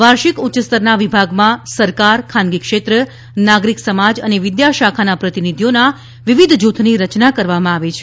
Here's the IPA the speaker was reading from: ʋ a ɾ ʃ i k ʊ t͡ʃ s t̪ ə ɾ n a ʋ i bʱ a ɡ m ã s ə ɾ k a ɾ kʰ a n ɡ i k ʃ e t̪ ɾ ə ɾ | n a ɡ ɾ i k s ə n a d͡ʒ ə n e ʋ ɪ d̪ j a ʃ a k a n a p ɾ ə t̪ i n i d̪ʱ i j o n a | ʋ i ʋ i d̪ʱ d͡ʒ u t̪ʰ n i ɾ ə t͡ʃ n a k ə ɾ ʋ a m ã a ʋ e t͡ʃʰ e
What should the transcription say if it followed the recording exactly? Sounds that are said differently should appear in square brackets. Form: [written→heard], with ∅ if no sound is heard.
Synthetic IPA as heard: ʋ a ɾ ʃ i k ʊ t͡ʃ s t̪ ə ɾ n a ʋ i bʱ a ɡ m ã s ə ɾ k a ɾ kʰ a n ɡ i k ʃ e t̪ ɾ ə [ɾ→∅] | n a ɡ ɾ i k s ə [n→m] a d͡ʒ ə n e ʋ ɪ d̪ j a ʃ a [k→kʰ] a n a p ɾ ə t̪ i n i d̪ʱ i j o n a | ʋ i ʋ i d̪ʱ d͡ʒ u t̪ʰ n i ɾ ə t͡ʃ n a k ə ɾ ʋ a m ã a ʋ e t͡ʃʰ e

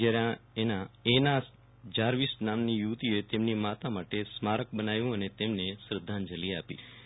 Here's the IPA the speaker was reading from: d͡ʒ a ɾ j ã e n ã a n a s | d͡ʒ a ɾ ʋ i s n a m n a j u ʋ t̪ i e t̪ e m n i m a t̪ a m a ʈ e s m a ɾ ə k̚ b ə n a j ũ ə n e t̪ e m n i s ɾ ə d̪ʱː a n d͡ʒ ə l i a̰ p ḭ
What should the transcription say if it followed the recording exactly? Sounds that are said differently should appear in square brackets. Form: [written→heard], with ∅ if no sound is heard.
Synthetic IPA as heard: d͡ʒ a ɾ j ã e n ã [a→e] n a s | d͡ʒ a ɾ ʋ i s n a m n [a→i] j u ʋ t̪ i e t̪ e m n i m a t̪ a m a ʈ e s m a ɾ ə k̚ b ə n a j ũ ə n e t̪ e m n [i→e] s ɾ ə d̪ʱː a n d͡ʒ ə l i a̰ p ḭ

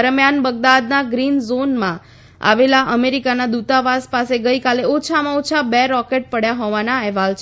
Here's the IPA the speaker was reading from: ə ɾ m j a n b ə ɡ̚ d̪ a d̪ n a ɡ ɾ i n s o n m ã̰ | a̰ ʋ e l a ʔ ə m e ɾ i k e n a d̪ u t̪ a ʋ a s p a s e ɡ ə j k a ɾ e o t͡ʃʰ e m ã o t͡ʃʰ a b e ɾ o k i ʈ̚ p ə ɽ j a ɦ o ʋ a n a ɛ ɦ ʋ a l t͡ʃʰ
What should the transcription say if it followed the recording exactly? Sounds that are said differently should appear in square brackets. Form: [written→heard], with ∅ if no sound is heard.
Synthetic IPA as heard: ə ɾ m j a n b ə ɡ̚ d̪ a d̪ n a ɡ ɾ i n [s→z] o n m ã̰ | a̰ ʋ e l a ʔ ə m e ɾ i k [e→a] n a d̪ u t̪ a ʋ a s p a s e ɡ ə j k a [ɾ→l] e o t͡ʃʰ [e→a] m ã o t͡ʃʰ a b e ɾ [o→ɔ] k [i→e] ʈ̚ p ə ɽ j a ɦ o ʋ a n a ɛ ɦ ʋ a l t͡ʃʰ

